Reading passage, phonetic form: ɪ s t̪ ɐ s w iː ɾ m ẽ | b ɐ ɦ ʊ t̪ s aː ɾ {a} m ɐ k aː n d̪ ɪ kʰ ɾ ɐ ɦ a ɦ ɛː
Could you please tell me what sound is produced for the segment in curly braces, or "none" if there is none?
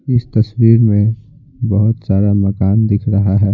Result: a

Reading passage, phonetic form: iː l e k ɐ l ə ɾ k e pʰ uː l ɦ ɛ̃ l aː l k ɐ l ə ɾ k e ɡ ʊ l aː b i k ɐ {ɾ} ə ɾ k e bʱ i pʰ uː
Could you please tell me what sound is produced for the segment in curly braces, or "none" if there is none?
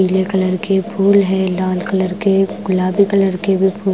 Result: l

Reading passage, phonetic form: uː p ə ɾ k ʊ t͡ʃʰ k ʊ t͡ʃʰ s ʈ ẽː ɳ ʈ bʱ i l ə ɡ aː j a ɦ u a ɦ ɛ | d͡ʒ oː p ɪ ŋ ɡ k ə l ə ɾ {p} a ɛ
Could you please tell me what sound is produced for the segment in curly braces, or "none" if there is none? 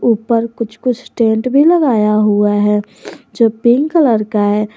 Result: k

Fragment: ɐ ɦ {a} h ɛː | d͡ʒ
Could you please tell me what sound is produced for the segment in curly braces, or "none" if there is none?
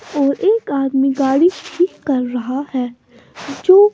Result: a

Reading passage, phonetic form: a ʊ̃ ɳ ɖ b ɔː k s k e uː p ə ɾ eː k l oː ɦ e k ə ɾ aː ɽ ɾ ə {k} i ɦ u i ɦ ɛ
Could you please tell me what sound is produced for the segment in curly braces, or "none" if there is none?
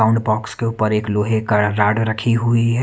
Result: kʰ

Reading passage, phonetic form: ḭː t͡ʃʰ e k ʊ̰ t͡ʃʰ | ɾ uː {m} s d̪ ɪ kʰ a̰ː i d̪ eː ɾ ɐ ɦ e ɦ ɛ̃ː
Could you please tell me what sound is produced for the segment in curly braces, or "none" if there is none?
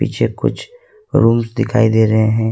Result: m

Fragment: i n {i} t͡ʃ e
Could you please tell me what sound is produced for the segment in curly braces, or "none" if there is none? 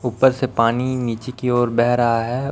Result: iː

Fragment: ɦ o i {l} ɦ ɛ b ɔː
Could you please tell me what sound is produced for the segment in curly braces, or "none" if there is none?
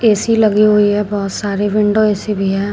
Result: none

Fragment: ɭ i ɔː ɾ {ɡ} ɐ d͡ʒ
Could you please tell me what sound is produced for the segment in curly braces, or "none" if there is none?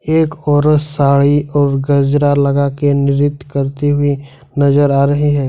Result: ɡ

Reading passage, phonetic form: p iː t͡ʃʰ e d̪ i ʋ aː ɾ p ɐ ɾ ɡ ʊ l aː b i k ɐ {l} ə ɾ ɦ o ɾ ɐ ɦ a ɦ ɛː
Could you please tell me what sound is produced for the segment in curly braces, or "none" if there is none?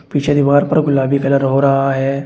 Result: l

